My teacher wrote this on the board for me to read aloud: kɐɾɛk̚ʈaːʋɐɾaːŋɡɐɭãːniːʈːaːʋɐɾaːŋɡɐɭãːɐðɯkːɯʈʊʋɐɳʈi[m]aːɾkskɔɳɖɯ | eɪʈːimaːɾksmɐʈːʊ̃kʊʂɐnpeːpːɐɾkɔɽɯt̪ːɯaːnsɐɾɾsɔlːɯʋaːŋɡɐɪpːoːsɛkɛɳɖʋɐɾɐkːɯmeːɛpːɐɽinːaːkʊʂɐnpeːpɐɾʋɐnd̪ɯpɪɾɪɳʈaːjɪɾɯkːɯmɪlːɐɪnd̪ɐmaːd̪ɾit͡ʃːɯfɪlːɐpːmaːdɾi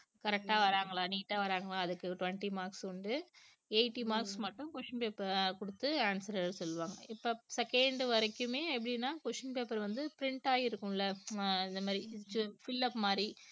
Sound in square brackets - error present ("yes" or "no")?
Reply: no